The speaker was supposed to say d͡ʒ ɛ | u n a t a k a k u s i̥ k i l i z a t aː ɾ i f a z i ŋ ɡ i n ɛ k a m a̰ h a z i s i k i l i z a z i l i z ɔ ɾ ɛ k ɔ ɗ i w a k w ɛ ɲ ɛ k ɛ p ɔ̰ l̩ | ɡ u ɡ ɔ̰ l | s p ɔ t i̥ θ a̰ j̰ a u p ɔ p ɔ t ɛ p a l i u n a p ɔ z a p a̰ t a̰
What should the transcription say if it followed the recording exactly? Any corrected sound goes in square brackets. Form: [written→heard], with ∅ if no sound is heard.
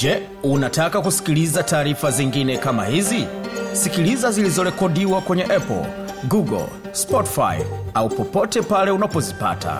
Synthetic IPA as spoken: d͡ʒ ɛ | u n a t a k a k u s i̥ k i l i z a t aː ɾ i f a z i ŋ ɡ i n ɛ k a m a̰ h [a→i] z i s i k i l i z a z i l i z ɔ ɾ ɛ k ɔ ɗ i w a k w ɛ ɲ ɛ [k→ʔ] ɛ p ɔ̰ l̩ | ɡ u ɡ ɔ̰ l | s p ɔ t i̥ [θ→f] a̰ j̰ a u p ɔ p ɔ t ɛ p a l [i→ɛ] u n a p ɔ z [a→i] p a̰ t a̰